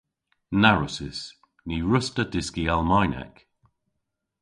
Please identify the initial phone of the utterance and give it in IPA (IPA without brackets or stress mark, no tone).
n